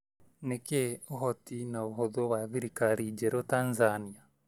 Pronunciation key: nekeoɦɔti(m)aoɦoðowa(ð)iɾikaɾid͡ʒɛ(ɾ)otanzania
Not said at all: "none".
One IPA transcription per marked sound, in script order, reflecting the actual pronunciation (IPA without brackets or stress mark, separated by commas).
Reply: n, ð, ɾ